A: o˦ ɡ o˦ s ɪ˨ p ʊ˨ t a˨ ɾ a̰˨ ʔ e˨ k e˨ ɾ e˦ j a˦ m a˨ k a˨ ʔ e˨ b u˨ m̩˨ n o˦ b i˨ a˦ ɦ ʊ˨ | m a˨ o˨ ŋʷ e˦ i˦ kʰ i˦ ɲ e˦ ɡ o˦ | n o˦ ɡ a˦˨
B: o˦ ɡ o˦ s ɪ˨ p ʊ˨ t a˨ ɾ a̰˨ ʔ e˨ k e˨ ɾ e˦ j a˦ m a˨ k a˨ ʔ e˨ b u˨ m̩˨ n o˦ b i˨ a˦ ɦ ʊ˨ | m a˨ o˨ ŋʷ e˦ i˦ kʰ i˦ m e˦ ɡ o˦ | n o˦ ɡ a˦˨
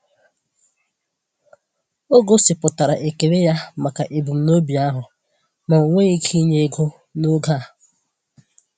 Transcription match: A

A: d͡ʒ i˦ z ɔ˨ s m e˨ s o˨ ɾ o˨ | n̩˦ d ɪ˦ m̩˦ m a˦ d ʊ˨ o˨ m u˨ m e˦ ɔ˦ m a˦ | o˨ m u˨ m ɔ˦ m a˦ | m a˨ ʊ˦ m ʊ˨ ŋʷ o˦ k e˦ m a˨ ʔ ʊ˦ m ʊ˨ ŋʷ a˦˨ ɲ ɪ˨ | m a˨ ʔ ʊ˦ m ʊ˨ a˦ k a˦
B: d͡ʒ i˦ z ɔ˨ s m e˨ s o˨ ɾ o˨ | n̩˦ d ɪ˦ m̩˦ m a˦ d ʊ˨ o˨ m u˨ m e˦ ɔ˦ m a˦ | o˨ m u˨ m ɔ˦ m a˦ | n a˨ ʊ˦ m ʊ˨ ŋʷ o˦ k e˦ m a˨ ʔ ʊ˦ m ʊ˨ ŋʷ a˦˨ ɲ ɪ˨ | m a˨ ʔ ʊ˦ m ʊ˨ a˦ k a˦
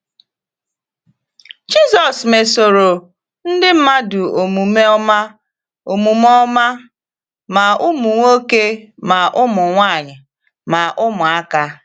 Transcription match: A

